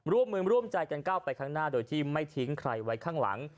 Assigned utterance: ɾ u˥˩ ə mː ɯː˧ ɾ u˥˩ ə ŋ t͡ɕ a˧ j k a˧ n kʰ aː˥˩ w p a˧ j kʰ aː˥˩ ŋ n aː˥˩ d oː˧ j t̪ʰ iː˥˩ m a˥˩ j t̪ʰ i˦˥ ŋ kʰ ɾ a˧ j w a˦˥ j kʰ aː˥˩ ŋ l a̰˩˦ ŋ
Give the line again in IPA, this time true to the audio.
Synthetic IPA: ɾ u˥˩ ə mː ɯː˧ ɾ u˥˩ ə m t͡ɕ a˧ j k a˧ n k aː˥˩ w p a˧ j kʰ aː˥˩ ŋ n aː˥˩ d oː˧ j t̪ʰ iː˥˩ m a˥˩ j t̪ʰ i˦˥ ŋ kʰ ɾ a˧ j w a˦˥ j kʰ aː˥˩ ŋ l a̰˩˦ ŋ